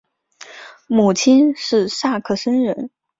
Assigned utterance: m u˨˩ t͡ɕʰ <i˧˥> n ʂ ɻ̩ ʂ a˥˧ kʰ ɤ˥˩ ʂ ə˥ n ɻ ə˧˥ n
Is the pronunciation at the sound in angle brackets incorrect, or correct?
incorrect: i˥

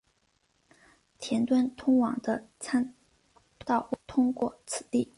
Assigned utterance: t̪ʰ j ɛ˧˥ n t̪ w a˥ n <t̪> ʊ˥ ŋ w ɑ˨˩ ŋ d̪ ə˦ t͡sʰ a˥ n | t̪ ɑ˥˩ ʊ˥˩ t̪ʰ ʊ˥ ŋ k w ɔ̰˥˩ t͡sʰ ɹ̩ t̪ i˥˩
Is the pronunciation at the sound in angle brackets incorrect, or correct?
incorrect: t̪ʰ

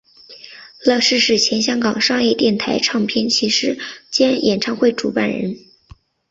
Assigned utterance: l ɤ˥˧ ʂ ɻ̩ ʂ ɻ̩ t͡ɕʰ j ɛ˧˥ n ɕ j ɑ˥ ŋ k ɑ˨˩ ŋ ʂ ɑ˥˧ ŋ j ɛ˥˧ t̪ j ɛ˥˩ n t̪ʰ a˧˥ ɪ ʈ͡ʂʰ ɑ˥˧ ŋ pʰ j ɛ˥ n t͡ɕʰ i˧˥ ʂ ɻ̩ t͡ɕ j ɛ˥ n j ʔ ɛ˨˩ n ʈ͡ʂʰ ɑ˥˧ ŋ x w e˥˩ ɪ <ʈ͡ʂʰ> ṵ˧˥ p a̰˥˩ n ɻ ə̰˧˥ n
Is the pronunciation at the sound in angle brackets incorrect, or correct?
incorrect: ʈ͡ʂ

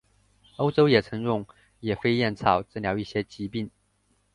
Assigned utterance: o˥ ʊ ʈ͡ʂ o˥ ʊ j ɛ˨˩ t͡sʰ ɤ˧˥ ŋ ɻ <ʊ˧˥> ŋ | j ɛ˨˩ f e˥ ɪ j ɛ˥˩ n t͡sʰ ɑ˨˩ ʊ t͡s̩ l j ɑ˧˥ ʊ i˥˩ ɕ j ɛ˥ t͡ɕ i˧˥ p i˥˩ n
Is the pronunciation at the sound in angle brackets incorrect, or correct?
incorrect: ʊ˥˩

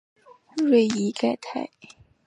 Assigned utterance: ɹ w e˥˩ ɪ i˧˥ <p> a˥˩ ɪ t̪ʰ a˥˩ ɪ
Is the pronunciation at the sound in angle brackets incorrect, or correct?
incorrect: k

